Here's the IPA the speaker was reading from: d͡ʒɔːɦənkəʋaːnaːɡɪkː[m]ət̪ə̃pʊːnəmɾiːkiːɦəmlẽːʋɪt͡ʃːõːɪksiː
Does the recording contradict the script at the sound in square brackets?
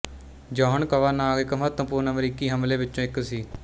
no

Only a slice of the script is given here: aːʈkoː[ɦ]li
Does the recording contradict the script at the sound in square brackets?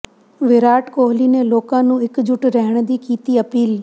no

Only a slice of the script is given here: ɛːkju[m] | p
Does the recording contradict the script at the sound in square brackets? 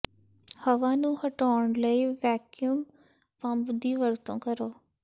no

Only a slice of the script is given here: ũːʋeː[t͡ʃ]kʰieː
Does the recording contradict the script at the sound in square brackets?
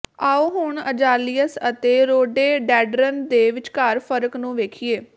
yes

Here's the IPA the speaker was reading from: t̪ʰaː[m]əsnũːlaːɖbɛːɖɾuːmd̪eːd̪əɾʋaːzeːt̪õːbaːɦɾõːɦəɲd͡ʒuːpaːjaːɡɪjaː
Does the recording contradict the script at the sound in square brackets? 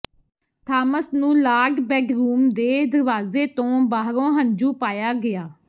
no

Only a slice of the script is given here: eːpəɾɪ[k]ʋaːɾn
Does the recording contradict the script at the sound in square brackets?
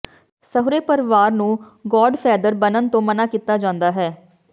yes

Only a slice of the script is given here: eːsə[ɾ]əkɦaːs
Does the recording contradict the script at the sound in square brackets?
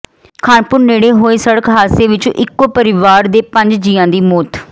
yes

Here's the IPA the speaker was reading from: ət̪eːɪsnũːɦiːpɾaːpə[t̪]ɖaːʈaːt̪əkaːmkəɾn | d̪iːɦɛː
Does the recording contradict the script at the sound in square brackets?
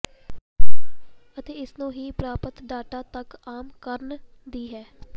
no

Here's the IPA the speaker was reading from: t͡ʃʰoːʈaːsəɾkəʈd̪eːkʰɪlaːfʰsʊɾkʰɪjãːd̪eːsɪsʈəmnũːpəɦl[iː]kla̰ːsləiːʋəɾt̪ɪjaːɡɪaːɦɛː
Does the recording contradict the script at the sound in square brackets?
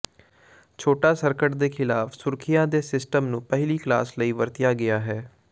no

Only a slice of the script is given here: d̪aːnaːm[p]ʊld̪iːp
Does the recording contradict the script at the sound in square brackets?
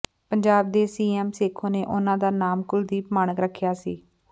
yes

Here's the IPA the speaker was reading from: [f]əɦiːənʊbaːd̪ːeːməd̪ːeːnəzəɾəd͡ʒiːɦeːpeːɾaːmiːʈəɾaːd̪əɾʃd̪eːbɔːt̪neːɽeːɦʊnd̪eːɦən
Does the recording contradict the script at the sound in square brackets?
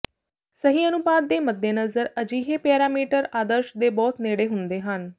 yes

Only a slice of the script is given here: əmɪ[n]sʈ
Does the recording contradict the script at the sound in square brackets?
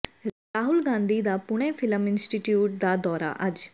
no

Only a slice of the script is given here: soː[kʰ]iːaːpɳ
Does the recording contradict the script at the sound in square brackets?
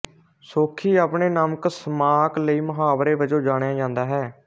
no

